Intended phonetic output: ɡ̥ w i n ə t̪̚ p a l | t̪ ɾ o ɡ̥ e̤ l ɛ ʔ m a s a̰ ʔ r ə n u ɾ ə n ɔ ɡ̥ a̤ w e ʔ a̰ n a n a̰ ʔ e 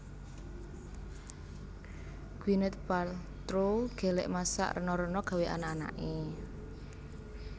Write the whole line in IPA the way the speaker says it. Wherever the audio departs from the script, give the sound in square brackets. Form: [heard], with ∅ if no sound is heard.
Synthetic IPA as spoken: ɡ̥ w i n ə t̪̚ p a l | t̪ ɾ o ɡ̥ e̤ l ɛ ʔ m a s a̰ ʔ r ə n [ɔ] ɾ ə n ɔ ɡ̥ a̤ w e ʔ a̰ n a n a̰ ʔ e